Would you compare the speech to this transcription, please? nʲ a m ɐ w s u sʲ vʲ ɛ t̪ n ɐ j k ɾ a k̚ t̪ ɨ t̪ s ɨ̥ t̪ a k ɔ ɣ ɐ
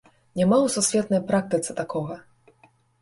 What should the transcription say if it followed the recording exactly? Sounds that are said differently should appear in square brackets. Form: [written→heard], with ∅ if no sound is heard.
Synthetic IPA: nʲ a m [ɐ→a] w s u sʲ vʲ ɛ t̪ n ɐ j [k→p] ɾ a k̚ t̪ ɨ t̪ s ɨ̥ t̪ a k ɔ ɣ ɐ